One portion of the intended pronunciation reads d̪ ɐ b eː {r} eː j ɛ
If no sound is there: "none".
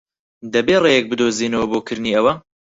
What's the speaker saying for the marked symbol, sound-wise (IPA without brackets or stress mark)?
r